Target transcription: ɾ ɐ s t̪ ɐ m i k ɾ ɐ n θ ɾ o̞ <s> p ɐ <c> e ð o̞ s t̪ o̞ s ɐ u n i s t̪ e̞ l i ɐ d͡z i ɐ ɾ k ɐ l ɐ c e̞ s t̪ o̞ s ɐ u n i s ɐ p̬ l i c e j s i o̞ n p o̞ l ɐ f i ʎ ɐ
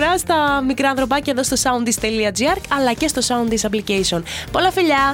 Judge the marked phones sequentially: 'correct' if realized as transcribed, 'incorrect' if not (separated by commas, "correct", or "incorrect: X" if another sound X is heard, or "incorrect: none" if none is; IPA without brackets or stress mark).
incorrect: none, correct